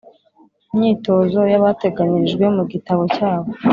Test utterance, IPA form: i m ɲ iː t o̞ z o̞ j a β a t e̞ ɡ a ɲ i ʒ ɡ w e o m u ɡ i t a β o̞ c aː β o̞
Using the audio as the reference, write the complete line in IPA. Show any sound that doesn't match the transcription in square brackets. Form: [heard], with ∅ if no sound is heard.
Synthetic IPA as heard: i m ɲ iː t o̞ z o̞ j a β a t e̞ ɡ a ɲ i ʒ ɡ w e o m u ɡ i t a β o̞ c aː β o̞

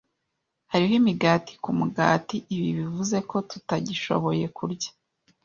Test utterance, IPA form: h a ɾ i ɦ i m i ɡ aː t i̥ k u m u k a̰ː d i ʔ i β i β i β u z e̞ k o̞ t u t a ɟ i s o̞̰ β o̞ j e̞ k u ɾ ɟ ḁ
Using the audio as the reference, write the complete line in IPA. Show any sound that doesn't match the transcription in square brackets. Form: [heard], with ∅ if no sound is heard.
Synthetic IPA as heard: h a ɾ i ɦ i m i ɡ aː t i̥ k u m u [ɡ] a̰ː [t] i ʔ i β i β i [v] u z e̞ k o̞ t u t a ɟ i [ʃ] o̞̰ β o̞ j e̞ k u ɾ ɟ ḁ

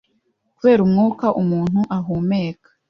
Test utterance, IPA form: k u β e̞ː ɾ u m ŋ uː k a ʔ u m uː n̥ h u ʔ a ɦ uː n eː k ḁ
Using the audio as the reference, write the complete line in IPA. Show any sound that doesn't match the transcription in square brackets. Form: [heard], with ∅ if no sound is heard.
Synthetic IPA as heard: k u β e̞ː ɾ u m ŋ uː k a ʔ u m uː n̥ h u ʔ a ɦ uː [m] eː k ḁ

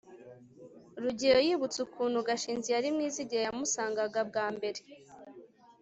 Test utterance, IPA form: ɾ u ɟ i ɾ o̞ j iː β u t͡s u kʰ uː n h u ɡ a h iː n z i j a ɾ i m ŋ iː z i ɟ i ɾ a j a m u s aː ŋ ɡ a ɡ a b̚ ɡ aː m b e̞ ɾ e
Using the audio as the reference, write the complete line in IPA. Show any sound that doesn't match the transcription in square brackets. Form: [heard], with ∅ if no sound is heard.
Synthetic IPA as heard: ɾ u ɟ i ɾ o̞ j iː β u t͡s u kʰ uː n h u ɡ a [ʃ] iː n z i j a ɾ i m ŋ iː z i ɟ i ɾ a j a m u s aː ŋ ɡ a ɡ a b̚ ɡ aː m b e̞ ɾ e

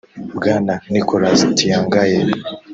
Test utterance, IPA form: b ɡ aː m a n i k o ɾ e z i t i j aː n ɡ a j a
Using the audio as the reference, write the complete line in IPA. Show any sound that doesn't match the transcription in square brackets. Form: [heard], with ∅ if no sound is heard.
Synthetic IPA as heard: b ɡ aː [n] a n i k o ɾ [a] z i t i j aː [ŋ] ɡ a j [e]

